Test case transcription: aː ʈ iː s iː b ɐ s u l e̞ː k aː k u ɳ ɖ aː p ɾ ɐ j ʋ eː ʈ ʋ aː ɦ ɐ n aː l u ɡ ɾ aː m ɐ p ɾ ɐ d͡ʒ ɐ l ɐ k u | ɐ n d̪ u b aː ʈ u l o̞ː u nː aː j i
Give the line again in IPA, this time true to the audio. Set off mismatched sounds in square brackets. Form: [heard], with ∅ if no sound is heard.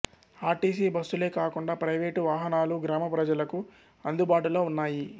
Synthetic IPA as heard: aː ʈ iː s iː b ɐ s u l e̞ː k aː k u ɳ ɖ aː p ɾ ɐ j ʋ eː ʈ ʋ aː ɦ ɐ n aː l u ɡ ɾ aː m ɐ p ɾ ɐ d͡ʒ ɐ l ɐ k u | ɐ n d̪ u b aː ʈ u l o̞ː u nː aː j i